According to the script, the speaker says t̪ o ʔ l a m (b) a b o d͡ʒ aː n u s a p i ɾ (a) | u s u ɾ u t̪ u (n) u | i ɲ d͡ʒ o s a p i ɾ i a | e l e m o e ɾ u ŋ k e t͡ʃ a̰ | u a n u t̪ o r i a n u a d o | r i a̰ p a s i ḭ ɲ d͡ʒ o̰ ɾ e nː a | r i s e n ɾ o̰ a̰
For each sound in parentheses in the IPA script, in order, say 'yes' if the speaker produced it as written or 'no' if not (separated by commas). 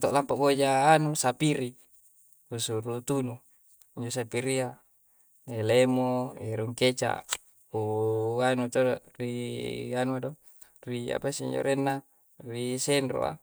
no, no, yes